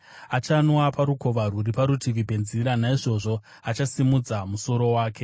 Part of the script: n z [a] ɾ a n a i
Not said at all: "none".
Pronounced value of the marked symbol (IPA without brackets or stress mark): i